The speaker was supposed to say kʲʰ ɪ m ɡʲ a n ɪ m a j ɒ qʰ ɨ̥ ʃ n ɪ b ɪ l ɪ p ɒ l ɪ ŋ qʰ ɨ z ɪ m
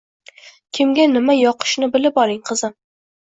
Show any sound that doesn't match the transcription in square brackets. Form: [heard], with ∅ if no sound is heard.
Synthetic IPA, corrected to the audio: kʲʰ ɪ m ɡʲ a n ɪ m a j ɒ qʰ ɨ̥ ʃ n ɪ b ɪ l ɪ p ɒ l ɪ ŋ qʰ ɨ z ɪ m